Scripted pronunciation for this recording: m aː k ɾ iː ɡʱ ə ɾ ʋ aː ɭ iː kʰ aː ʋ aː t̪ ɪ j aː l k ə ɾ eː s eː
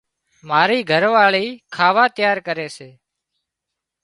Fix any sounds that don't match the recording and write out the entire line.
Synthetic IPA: m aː ɾ iː ɡʱ ə ɾ ʋ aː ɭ iː kʰ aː ʋ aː t̪ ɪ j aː ɾ k ə ɾ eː s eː